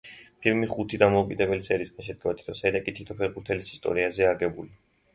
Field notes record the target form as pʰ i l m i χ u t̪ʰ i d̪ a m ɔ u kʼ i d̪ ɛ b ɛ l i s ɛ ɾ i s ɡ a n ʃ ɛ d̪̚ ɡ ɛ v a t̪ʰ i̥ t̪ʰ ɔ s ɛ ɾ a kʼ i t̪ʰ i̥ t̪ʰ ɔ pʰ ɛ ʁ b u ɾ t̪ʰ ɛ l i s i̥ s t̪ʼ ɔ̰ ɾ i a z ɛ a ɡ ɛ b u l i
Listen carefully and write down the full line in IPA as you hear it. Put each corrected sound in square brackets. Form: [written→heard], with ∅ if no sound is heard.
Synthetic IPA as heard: pʰ i l m i χ u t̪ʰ i d̪ a m ɔ u kʼ i d̪ ɛ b ɛ l i s ɛ ɾ i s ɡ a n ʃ ɛ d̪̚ ɡ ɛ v a t̪ʰ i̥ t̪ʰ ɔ s ɛ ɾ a kʼ i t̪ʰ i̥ t̪ʰ ɔ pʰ ɛ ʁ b u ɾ t̪ʰ ɛ l i s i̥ s t̪ʼ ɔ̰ ɾ i a z ɛ a ɡ ɛ b u l i